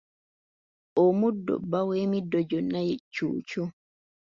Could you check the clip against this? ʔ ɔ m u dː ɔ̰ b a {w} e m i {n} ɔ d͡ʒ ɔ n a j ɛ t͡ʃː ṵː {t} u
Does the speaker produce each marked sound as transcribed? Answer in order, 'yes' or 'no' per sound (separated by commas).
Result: yes, no, no